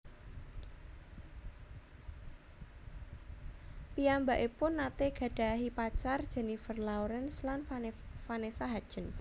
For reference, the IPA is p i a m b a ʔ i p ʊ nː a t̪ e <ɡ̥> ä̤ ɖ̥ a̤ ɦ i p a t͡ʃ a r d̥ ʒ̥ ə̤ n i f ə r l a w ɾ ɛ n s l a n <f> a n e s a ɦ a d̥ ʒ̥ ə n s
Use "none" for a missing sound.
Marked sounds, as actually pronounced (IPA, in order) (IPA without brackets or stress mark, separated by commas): ɡ̥, f